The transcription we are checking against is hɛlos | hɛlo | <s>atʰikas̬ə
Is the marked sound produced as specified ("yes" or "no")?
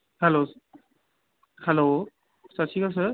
yes